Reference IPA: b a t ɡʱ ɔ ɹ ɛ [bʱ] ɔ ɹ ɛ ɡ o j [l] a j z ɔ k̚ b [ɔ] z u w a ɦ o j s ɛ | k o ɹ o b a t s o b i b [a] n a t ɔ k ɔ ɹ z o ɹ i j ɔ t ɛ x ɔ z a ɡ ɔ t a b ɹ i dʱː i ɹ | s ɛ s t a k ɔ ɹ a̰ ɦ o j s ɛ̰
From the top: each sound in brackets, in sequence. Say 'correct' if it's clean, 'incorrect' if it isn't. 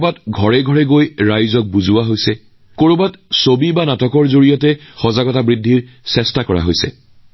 incorrect: ɡʱ, incorrect: ɹ, incorrect: u, correct

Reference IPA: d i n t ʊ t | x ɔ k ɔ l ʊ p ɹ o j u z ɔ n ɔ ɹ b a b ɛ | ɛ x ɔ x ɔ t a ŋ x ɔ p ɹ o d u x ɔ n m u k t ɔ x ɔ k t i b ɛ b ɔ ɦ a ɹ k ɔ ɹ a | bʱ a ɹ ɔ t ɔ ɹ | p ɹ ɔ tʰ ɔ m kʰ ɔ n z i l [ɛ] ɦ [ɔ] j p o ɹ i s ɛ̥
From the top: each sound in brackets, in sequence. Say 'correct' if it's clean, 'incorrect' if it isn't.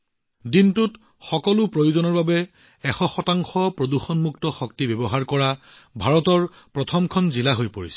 incorrect: a, incorrect: o

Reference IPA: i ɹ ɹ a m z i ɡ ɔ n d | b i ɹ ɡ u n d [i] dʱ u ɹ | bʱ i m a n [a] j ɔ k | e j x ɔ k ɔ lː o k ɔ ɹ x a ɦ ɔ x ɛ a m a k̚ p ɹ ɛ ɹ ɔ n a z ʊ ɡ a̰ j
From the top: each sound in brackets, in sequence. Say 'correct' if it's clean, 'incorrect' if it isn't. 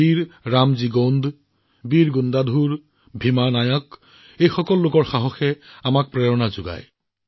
incorrect: a, correct

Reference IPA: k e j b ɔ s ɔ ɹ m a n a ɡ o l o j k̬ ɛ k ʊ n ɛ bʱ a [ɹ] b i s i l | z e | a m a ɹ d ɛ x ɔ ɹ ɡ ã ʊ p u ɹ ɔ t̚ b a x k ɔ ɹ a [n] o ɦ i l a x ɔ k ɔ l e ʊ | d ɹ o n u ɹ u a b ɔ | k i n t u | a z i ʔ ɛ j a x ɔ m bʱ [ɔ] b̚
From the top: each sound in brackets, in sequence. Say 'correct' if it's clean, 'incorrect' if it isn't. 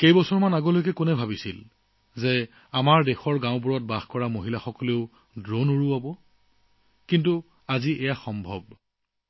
incorrect: none, incorrect: m, correct

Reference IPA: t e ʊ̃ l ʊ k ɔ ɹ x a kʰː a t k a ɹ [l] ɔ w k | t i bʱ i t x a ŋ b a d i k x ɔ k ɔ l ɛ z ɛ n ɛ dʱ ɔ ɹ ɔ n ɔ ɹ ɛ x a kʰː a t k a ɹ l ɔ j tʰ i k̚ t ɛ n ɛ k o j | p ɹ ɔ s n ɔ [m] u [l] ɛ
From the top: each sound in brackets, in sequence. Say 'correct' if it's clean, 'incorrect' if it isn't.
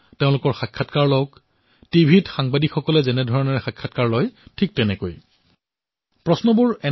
correct, incorrect: b, incorrect: ɹ

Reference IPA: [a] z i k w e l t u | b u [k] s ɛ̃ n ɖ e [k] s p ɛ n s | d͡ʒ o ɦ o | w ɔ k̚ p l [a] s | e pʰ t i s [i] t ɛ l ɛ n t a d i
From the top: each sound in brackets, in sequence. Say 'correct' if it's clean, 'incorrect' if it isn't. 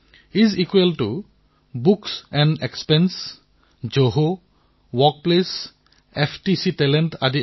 incorrect: i, correct, correct, incorrect: e, correct

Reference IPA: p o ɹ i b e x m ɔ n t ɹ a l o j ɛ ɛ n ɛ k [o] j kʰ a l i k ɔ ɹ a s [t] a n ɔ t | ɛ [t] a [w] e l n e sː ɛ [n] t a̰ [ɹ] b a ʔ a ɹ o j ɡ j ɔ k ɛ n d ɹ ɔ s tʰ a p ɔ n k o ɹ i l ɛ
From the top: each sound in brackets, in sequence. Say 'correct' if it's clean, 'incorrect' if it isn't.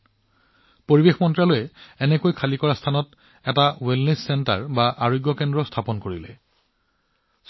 correct, incorrect: tʰ, correct, correct, correct, correct

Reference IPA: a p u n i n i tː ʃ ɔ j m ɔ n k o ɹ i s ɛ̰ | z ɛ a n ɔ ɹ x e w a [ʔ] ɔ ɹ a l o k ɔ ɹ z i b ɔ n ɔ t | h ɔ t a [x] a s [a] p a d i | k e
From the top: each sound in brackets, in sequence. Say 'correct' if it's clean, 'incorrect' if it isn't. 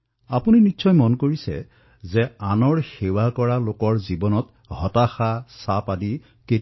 incorrect: k, correct, correct

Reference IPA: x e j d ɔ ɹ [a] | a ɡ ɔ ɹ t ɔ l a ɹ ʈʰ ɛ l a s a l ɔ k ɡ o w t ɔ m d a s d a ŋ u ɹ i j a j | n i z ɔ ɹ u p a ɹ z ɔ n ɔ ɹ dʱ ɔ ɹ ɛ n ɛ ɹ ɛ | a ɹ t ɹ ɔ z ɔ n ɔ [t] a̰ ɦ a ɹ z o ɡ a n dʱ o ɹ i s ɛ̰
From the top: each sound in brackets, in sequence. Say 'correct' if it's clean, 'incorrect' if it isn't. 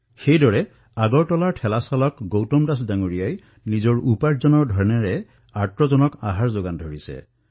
incorrect: ɛ, incorrect: k

